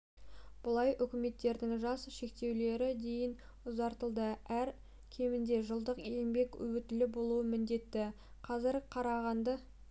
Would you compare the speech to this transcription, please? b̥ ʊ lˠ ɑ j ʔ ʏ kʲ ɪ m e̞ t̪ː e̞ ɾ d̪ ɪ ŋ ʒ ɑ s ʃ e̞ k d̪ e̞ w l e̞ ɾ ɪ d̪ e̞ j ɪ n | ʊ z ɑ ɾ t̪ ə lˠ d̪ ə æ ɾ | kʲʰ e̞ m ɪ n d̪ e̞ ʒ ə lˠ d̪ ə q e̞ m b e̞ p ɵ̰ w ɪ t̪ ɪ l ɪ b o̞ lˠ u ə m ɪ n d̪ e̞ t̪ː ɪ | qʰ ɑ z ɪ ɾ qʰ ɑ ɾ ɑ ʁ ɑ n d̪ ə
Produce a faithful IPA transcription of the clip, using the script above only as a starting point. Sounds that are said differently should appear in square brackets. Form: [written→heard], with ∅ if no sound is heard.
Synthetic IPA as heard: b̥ ʊ lˠ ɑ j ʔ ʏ kʲ ɪ m e̞ t̪ː e̞ ɾ d̪ ɪ ŋ ʒ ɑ s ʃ e̞ k [d̪→t̪] e̞ w l e̞ ɾ ɪ d̪ e̞ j ɪ n | ʊ z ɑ ɾ t̪ ə lˠ d̪ ə æ ɾ | kʲʰ e̞ m ɪ n d̪ e̞ ʒ ə lˠ d̪ ə q e̞ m b e̞ [p→k] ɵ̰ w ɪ t̪ ɪ l ɪ b o̞ lˠ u ə m ɪ n d̪ e̞ t̪ː ɪ | qʰ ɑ z ɪ ɾ qʰ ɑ ɾ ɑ ʁ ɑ n d̪ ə

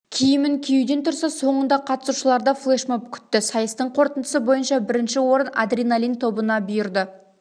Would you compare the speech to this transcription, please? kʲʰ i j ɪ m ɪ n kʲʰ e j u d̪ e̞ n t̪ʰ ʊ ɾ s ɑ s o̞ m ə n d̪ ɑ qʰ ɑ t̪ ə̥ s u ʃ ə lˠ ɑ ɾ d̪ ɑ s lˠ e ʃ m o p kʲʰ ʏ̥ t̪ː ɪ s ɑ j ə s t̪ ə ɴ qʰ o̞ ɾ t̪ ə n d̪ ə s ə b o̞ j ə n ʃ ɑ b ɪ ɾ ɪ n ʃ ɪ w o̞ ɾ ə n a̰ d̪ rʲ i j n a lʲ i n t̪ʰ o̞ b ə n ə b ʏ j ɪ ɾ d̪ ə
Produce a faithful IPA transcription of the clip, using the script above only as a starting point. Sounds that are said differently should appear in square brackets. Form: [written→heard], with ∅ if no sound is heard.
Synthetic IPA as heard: kʲʰ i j ɪ m ɪ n kʲʰ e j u d̪ e̞ n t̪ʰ ʊ ɾ s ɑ s o̞ [m→ɴ] ə n d̪ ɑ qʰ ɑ t̪ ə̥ s u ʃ ə lˠ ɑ ɾ d̪ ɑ [s→f] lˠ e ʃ m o p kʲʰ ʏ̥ t̪ː ɪ s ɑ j ə s t̪ ə ɴ qʰ o̞ ɾ t̪ ə n d̪ ə s ə b o̞ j ə n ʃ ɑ b ɪ ɾ ɪ n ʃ ɪ w o̞ ɾ ə n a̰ d̪ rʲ i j n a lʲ i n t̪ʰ o̞ b ə n [ə→ɑ] b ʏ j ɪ ɾ d̪ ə

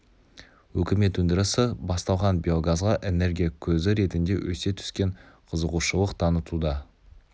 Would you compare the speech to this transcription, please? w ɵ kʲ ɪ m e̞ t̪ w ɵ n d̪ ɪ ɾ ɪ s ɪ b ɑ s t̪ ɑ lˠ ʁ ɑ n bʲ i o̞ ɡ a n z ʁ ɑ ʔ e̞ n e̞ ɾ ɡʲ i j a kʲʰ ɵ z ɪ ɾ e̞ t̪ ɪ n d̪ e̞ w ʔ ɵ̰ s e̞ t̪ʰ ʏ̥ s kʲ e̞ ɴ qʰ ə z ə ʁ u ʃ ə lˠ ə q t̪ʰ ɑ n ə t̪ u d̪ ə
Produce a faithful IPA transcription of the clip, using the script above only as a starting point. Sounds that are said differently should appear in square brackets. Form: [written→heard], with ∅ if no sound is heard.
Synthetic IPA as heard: w ɵ kʲ ɪ m e̞ t̪ w ɵ n d̪ ɪ ɾ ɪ s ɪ b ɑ s t̪ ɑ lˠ ʁ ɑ n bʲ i o̞ ɡ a [n→∅] z ʁ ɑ ʔ e̞ n e̞ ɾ ɡʲ i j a kʲʰ ɵ z ɪ ɾ e̞ t̪ ɪ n d̪ e̞ w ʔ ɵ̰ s e̞ t̪ʰ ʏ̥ s kʲ e̞ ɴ qʰ ə z ə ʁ u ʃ ə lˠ ə q t̪ʰ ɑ n ə t̪ u d̪ [ə→ɑ]

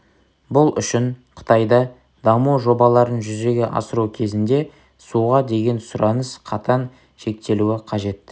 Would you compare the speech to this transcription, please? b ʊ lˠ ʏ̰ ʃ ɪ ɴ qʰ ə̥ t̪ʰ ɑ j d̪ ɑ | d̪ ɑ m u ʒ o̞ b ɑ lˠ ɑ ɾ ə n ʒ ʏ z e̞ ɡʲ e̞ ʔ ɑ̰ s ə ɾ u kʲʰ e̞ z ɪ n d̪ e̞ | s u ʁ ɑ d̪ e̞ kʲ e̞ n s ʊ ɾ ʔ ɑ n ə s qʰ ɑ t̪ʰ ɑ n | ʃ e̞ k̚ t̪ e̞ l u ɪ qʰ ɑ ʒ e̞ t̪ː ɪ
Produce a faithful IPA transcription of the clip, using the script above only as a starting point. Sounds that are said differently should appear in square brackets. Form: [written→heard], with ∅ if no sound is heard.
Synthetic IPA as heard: b ʊ lˠ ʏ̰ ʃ ɪ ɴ qʰ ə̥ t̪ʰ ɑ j d̪ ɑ | d̪ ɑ m u ʒ o̞ b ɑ lˠ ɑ ɾ ə n ʒ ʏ z e̞ ɡʲ e̞ ʔ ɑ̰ s ə ɾ u kʲʰ e̞ z ɪ n d̪ e̞ | s u ʁ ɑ d̪ e̞ [kʲ→ɡʲ] e̞ n s ʊ ɾ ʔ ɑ n ə s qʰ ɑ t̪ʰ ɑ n | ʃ e̞ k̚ t̪ e̞ l u ɪ qʰ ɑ ʒ e̞ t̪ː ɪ

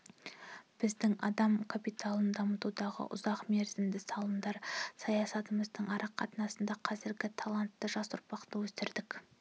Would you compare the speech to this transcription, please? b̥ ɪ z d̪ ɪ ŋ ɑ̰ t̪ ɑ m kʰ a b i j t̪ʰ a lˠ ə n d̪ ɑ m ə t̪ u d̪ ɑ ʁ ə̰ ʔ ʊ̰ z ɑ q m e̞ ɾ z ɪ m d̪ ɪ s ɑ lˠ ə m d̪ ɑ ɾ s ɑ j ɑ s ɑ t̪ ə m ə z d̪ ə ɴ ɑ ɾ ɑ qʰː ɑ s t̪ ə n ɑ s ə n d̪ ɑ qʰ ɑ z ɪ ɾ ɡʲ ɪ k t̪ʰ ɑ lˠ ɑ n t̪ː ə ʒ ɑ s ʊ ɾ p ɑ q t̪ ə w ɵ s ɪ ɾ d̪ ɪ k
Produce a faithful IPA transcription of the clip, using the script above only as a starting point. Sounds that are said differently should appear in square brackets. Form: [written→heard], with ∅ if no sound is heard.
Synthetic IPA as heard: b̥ ɪ z d̪ ɪ ŋ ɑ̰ [t̪→d̪] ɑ m kʰ a [b→p] i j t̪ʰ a lˠ ə n d̪ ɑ m ə t̪ u d̪ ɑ ʁ ə̰ ʔ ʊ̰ z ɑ q m e̞ ɾ z ɪ m d̪ ɪ s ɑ lˠ ə m d̪ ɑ ɾ s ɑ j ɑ s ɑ t̪ ə m ə z d̪ ə ɴ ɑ ɾ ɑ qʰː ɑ [s→∅] t̪ ə n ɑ s ə n d̪ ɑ qʰ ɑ z ɪ ɾ ɡʲ ɪ [k→∅] t̪ʰ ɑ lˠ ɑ n t̪ː ə ʒ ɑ s ʊ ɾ p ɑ q t̪ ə w ɵ s ɪ ɾ d̪ ɪ k

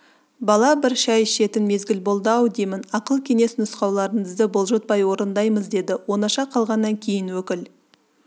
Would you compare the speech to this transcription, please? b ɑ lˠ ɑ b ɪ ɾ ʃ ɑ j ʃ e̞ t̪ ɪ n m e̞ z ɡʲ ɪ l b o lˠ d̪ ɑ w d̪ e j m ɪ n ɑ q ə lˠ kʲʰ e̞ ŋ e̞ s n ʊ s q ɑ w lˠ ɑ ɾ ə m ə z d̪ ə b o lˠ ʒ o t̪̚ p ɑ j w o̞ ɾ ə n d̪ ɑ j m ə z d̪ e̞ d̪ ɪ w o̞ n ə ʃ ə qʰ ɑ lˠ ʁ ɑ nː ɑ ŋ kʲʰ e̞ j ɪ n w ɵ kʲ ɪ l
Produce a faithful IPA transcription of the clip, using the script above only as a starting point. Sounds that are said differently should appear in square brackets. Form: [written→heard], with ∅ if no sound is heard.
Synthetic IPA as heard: b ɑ lˠ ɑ b ɪ ɾ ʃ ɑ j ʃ e̞ t̪ ɪ n m e̞ z ɡʲ ɪ l b o lˠ d̪ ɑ w d̪ e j m ɪ n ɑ q ə lˠ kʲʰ e̞ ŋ e̞ s n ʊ s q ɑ w lˠ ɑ ɾ ə [m→ɴ] ə z d̪ ə b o lˠ ʒ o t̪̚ p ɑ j w o̞ ɾ ə n d̪ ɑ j m ə z d̪ e̞ d̪ ɪ w o̞ n [ə→ɑ] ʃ [ə→ɑ] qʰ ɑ lˠ ʁ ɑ nː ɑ ŋ kʲʰ e̞ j ɪ n w ɵ kʲ ɪ l

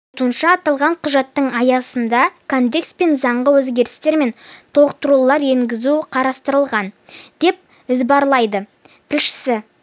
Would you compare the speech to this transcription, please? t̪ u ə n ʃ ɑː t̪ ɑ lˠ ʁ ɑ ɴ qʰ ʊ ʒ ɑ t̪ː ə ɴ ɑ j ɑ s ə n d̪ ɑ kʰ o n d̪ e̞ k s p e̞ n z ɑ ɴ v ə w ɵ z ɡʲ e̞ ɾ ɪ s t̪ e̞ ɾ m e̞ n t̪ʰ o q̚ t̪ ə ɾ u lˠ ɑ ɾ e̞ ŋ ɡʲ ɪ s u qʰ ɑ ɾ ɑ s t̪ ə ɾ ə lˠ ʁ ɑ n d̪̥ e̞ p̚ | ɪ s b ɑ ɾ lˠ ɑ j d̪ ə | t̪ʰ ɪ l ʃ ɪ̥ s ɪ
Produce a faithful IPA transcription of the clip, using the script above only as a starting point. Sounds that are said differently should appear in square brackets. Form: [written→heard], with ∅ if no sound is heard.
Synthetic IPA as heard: t̪ u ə n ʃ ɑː t̪ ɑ lˠ ʁ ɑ ɴ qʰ ʊ ʒ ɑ t̪ː ə ɴ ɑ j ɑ s ə n d̪ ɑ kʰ o n d̪ e̞ k s p e̞ n z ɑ ɴ [v→ʁ] ə w ɵ z ɡʲ e̞ ɾ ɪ s t̪ e̞ ɾ m e̞ n t̪ʰ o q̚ t̪ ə ɾ u lˠ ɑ ɾ e̞ ŋ ɡʲ ɪ [s→z] u qʰ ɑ ɾ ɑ s t̪ ə ɾ ə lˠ ʁ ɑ n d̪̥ e̞ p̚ | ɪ [s→z] b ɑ ɾ lˠ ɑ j d̪ ə | t̪ʰ ɪ l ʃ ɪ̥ s ɪ

